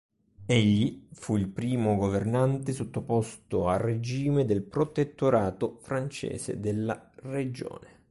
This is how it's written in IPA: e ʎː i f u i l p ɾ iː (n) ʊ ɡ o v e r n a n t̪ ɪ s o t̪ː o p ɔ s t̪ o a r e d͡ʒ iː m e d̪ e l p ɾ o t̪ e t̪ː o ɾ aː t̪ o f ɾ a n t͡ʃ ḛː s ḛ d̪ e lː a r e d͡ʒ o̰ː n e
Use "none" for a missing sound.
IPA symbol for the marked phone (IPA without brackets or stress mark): m